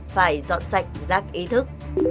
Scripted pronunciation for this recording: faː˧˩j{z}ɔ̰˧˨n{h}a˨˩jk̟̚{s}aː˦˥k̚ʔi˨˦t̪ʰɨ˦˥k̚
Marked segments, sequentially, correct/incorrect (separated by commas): correct, incorrect, incorrect